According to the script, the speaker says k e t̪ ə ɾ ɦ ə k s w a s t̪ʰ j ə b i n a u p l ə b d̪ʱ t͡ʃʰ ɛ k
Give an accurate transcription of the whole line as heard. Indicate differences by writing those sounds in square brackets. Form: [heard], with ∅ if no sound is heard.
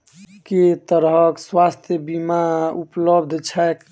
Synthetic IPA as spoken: k e t̪ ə ɾ ɦ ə k s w a s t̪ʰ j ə b i [m] a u p l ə b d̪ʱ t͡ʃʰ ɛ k